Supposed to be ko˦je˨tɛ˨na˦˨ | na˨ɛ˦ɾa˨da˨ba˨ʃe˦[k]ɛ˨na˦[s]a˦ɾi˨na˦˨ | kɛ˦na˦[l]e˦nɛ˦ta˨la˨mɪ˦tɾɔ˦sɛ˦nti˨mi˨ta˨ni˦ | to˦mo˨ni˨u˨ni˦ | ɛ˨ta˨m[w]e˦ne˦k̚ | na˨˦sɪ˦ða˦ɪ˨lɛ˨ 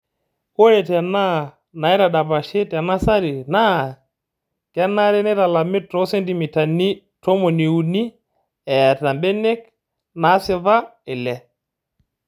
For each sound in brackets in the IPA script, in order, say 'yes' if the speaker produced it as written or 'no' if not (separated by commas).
no, yes, no, no